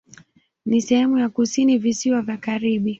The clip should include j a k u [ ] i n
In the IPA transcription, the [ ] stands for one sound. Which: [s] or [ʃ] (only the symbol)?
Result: s